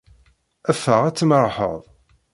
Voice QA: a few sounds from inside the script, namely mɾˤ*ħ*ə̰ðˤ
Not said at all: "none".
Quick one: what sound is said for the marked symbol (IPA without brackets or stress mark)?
ħ